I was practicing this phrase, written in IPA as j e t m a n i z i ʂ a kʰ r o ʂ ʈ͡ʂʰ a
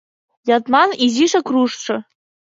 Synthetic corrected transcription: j a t m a n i z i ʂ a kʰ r u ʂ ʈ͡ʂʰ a